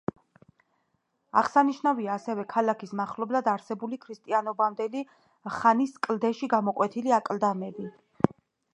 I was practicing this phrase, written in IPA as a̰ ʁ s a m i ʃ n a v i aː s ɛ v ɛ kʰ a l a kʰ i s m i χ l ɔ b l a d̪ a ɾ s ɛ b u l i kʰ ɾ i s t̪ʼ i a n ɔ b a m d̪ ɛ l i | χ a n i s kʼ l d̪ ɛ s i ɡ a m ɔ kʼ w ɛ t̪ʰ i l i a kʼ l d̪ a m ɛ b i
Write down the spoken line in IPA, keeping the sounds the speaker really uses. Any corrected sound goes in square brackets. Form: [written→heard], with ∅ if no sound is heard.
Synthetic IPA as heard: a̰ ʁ s a [m→n] i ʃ n a v i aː s ɛ v ɛ kʰ a l a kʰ i s m [i→a] χ l ɔ b l a d̪ a ɾ s ɛ b u l i kʰ ɾ i s t̪ʼ i a n ɔ b a m d̪ ɛ l i | χ a n i s kʼ l d̪ ɛ [s→ʃ] i ɡ a m ɔ kʼ w ɛ t̪ʰ i l i a kʼ l d̪ a m ɛ b i